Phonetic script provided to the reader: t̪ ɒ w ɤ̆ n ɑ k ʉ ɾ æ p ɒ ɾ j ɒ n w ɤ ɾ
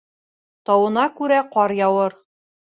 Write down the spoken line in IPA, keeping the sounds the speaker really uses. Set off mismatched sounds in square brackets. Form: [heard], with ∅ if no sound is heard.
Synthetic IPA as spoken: t̪ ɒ w ɤ̆ n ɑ k ʉ ɾ æ [q] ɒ ɾ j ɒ [∅] w ɤ ɾ